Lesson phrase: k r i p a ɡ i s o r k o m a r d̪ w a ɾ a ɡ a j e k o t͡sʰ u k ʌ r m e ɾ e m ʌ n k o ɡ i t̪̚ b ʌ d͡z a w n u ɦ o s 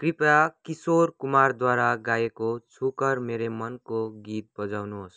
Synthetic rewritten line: k r i p a k i s o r k u m a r d̪ w a ɾ a ɡ a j e k o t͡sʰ u k ʌ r m e ɾ e m ʌ n k o ɡ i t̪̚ b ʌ d͡z a w n u ɦ o s